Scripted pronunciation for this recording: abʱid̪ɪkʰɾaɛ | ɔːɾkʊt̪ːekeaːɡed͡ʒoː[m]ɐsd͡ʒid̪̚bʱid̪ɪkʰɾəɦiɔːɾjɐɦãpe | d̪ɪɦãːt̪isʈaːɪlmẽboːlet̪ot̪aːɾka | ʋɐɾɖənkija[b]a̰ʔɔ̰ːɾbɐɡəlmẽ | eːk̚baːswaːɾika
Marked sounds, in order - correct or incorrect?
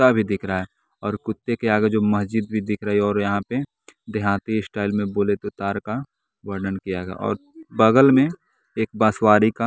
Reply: correct, incorrect: ɡ

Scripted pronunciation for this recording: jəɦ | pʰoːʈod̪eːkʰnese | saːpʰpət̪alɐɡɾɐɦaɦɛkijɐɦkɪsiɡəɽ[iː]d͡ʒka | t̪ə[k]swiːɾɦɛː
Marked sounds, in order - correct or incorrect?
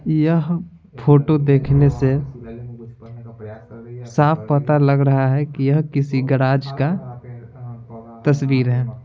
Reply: incorrect: aː, incorrect: none

